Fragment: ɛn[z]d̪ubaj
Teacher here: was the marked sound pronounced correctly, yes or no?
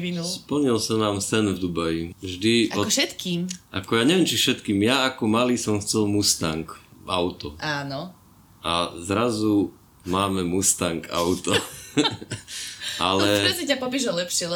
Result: no